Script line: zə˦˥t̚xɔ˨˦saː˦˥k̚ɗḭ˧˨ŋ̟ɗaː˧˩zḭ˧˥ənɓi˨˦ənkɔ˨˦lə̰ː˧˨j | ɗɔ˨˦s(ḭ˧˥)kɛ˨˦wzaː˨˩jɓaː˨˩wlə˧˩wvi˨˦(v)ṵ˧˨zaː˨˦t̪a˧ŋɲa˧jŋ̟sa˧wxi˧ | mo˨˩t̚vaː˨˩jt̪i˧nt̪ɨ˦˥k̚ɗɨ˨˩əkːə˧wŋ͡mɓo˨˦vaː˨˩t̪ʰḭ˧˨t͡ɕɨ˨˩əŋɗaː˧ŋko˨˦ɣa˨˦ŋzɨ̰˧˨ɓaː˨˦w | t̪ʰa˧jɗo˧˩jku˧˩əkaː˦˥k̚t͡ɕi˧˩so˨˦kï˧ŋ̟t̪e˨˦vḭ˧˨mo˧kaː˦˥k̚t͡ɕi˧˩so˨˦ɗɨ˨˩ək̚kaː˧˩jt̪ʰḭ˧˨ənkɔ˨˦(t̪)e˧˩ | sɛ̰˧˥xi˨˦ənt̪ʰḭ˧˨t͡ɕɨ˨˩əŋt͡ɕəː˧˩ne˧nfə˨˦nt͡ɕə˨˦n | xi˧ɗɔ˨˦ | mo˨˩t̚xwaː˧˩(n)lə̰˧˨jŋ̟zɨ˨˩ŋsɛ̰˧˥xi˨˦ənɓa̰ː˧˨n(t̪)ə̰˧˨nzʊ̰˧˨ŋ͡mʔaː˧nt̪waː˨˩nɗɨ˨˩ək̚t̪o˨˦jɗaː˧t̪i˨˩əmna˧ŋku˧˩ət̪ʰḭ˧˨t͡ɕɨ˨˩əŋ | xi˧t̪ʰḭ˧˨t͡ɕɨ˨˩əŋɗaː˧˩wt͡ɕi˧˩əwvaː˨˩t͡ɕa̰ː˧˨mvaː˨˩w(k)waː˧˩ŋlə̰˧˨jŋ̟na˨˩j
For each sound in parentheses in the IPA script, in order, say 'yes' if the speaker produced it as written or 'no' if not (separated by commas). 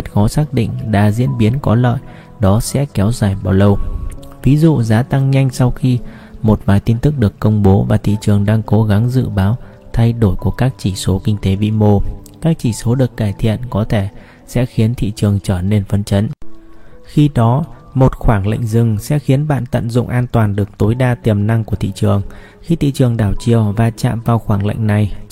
no, no, no, no, yes, no